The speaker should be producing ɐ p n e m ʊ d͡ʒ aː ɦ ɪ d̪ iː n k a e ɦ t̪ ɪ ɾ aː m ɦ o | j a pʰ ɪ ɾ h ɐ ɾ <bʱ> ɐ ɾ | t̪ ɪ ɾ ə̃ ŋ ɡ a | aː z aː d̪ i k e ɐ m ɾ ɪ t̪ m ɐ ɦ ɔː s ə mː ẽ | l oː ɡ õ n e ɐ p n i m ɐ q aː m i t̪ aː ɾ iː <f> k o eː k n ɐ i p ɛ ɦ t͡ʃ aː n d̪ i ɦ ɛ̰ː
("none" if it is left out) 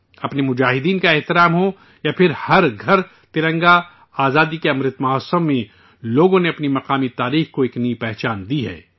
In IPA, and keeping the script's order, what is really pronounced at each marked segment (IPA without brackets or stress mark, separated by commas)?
ɡʱ, x